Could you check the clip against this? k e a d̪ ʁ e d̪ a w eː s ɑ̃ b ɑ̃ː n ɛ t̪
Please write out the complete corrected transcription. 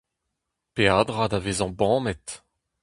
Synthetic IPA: p e a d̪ ʁ a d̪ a v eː z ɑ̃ b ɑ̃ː m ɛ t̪